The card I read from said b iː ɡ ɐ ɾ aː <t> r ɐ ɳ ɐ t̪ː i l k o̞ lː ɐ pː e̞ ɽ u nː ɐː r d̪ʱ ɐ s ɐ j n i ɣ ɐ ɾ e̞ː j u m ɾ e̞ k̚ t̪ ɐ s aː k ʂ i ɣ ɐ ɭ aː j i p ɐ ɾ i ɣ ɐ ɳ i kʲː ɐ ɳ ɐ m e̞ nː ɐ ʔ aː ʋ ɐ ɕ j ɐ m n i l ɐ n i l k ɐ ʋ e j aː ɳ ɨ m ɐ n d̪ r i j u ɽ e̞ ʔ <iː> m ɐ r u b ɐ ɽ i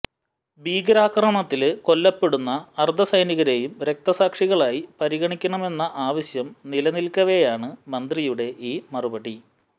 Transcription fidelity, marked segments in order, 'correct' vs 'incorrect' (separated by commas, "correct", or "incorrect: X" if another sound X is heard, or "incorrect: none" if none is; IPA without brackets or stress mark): incorrect: k, correct